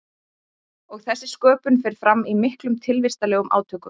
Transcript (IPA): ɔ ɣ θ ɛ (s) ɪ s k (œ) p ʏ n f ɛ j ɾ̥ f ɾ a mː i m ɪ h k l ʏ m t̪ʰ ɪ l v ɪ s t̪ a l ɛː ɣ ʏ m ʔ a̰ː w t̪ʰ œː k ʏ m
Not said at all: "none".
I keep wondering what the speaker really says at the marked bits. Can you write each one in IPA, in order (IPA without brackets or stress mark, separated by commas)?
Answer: sː, œː